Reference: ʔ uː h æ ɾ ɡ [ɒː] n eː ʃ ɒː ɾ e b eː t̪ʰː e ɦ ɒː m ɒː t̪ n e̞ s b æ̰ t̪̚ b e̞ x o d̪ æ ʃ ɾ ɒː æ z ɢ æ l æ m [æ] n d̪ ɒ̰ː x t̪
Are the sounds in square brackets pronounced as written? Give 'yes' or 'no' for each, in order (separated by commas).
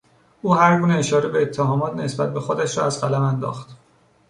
no, yes